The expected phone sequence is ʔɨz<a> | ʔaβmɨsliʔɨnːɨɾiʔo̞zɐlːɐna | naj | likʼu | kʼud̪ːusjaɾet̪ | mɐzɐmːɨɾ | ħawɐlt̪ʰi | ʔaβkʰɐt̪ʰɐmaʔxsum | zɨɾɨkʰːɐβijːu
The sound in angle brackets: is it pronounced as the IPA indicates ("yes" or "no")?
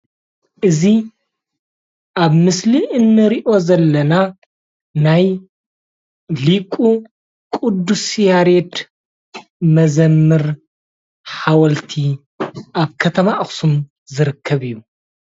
no